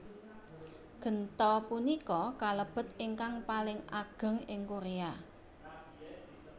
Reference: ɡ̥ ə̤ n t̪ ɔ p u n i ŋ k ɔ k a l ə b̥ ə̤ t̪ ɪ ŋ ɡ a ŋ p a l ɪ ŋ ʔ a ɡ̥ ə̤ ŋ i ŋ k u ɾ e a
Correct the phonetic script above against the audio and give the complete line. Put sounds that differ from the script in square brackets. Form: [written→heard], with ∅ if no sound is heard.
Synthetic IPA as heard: ɡ̥ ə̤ n t̪ ɔ p u n i [ŋ→∅] k ɔ k a l ə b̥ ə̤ t̪ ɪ ŋ [ɡ→k] a ŋ p a l ɪ ŋ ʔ a ɡ̥ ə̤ ŋ [i→ɪ] ŋ k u ɾ e a